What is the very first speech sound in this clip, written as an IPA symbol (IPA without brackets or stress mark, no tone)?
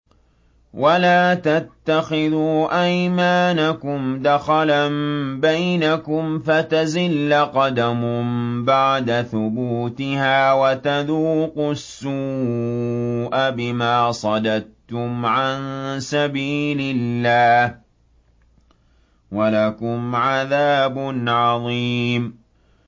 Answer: w